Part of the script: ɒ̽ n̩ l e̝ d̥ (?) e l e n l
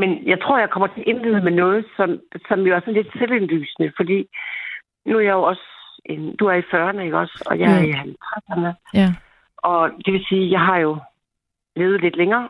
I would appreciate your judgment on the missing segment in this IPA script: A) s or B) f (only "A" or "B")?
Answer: A